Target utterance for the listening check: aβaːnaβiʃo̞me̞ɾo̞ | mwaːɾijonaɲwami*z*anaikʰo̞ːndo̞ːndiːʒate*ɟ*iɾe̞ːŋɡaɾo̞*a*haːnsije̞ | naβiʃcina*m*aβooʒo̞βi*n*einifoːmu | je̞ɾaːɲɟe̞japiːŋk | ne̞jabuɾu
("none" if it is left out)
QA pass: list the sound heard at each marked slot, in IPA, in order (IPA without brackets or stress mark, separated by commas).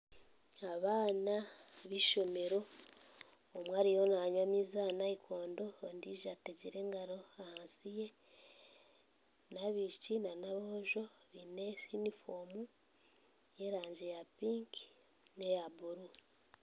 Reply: z, ɟ, a, n, n